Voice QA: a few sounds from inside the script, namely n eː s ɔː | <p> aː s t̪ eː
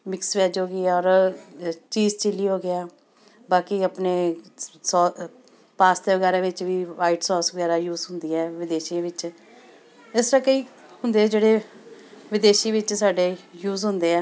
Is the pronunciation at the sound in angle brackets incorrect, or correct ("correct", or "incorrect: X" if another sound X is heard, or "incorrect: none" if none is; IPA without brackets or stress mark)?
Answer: correct